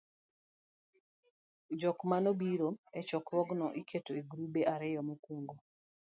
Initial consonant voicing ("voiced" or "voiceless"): voiced